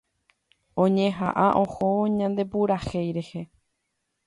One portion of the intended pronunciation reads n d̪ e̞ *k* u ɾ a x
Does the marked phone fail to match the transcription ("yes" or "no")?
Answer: yes